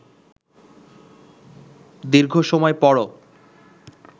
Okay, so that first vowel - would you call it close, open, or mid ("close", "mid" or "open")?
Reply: close